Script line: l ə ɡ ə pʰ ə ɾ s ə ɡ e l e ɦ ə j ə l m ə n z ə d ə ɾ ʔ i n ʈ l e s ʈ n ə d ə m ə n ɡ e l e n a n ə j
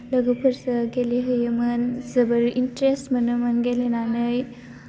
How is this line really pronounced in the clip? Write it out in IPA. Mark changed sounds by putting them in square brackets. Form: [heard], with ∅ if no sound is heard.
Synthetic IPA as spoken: l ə ɡ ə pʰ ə ɾ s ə ɡ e l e ɦ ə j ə [∅] m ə n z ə [b] ə ɾ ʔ i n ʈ [ɾ] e s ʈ [m] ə [n] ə m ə n ɡ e l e n a n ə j